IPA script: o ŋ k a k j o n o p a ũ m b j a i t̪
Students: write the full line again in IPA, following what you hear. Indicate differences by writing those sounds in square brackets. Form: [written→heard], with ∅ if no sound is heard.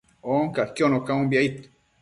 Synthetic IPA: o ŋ k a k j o n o [p→k] a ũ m b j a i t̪